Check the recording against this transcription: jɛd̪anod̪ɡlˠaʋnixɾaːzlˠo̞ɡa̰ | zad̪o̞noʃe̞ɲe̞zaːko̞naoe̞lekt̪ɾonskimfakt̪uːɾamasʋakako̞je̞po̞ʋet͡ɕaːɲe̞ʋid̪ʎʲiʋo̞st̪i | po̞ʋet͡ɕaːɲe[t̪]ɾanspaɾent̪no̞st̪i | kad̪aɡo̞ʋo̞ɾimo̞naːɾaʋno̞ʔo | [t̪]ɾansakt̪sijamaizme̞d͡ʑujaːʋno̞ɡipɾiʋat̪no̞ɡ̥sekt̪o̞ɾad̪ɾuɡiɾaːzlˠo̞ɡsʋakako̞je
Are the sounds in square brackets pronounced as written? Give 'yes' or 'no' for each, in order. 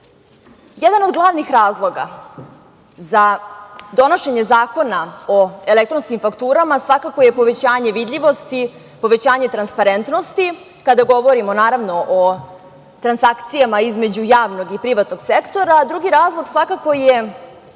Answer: yes, yes

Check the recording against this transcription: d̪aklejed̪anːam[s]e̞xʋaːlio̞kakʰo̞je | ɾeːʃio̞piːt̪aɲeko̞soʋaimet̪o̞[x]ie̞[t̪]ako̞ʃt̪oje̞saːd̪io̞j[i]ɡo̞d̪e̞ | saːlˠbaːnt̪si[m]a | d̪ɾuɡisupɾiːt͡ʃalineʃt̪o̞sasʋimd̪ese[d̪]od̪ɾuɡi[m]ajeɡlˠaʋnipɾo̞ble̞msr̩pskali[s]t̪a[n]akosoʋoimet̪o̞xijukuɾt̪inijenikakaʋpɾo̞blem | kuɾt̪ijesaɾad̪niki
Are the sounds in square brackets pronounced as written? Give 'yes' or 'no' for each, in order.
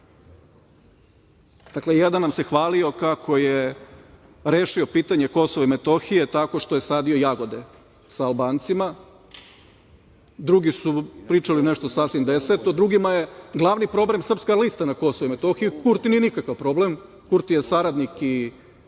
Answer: yes, yes, yes, no, yes, no, yes, yes, yes

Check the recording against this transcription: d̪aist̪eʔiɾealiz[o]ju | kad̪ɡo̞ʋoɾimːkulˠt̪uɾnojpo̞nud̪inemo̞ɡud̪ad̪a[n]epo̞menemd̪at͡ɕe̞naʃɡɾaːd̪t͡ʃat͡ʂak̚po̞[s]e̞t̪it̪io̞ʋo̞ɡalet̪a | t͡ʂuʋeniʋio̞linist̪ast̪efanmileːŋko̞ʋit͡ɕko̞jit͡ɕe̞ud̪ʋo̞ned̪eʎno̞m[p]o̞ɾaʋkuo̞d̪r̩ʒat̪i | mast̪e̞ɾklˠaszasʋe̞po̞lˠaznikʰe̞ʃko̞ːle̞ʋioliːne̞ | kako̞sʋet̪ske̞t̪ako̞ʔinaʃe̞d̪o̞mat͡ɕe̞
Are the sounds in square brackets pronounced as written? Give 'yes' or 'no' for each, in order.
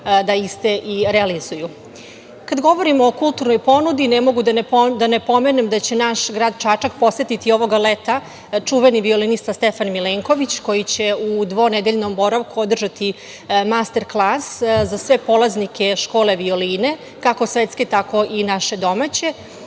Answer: no, yes, yes, no

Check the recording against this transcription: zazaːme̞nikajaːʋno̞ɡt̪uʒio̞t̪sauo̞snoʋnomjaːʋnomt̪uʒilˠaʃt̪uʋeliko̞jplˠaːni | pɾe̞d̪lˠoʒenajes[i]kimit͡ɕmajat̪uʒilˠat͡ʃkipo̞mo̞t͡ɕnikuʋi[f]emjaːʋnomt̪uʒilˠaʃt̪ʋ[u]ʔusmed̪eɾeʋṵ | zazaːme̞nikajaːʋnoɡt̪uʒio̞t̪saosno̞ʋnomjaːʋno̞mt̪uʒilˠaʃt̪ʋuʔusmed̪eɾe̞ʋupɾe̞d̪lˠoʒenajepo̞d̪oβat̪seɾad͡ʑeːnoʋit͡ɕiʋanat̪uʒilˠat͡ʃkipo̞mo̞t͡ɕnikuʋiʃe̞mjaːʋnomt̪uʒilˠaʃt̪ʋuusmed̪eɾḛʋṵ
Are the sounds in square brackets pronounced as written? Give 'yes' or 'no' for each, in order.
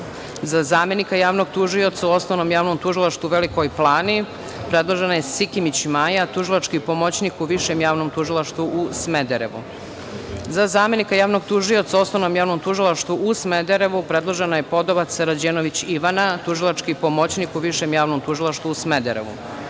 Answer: yes, no, yes

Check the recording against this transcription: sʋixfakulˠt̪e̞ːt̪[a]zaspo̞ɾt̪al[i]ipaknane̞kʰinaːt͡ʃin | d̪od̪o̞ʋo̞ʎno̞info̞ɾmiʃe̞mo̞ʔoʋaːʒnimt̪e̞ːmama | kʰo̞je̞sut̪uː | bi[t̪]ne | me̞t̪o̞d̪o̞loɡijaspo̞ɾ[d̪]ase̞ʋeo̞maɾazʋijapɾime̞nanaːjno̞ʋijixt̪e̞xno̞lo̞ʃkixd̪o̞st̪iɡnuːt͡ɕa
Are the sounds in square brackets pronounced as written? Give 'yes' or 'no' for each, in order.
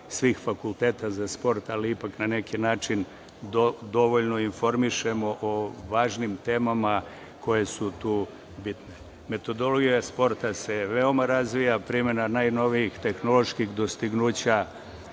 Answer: yes, yes, yes, no

